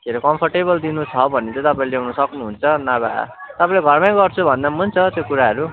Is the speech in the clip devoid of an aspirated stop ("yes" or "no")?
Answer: no